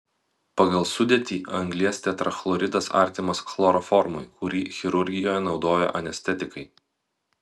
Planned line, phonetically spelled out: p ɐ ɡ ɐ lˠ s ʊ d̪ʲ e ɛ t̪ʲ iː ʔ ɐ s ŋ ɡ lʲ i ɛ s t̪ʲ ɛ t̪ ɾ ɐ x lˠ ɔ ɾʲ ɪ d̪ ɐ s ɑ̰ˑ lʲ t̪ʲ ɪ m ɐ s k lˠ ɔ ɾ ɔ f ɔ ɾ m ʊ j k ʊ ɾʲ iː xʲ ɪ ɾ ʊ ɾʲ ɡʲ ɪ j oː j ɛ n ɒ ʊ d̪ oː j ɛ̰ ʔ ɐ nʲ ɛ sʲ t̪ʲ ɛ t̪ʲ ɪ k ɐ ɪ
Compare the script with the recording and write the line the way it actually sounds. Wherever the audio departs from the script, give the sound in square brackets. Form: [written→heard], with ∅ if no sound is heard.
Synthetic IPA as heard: p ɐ ɡ ɐ lˠ s ʊ d̪ʲ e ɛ t̪ʲ iː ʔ ɐ [s→∅] ŋ ɡ lʲ i ɛ s t̪ʲ ɛ t̪ ɾ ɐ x lˠ ɔ ɾʲ ɪ d̪ ɐ s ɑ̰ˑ [lʲ→ɾʲ] t̪ʲ ɪ m ɐ s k lˠ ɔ ɾ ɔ f ɔ ɾ m ʊ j k ʊ ɾʲ iː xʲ ɪ ɾ ʊ ɾʲ ɡʲ ɪ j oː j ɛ n ɒ ʊ d̪ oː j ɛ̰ ʔ ɐ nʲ ɛ sʲ t̪ʲ ɛ t̪ʲ ɪ k ɐ ɪ